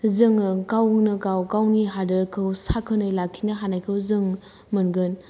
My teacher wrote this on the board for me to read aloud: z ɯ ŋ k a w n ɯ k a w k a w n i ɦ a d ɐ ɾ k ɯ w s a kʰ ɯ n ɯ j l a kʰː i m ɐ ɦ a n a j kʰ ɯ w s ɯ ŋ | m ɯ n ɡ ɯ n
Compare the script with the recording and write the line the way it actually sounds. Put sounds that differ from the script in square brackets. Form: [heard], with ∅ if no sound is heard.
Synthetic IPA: z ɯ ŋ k a w n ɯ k a w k a w n i ɦ a d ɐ ɾ [kʰ] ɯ w s a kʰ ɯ n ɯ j l a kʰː i [n] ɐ ɦ a n a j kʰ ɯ w [z] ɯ ŋ | m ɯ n ɡ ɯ n